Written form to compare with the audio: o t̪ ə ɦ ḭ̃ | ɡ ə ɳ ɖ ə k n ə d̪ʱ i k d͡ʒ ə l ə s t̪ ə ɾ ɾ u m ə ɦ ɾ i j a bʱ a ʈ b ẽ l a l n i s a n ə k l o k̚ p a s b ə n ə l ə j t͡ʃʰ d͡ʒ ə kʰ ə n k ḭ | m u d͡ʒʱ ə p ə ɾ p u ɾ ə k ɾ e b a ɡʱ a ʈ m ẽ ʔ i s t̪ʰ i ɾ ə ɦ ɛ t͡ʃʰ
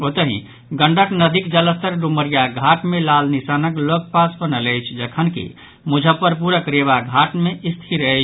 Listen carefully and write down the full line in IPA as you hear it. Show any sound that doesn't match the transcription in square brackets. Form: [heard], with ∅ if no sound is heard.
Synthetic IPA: o t̪ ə ɦ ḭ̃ | ɡ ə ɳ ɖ ə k n ə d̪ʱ i k d͡ʒ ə l ə s t̪ ə ɾ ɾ u m ə [∅] ɾ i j a [ɡʱ] a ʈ [m] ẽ l a l n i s a n ə k l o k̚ p a s b ə n ə l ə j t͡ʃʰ d͡ʒ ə kʰ ə n k ḭ | m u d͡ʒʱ ə p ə ɾ p u ɾ ə k ɾ e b a ɡʱ a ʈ m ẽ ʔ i s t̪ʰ i ɾ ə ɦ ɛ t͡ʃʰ